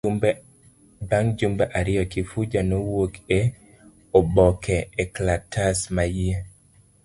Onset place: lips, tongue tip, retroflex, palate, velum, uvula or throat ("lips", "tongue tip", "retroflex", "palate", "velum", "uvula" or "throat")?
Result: lips